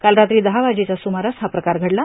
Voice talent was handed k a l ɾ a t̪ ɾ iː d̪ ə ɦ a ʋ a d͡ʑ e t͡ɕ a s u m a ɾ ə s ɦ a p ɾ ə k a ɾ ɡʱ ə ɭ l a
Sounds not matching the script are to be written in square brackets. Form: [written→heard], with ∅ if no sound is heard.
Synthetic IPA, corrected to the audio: k a l ɾ a t̪ ɾ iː d̪ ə ɦ a ʋ a d͡ʑ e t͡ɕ a s u m a ɾ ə s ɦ a p ɾ ə k a ɾ ɡʱ ə [ɭ→ɽ] l a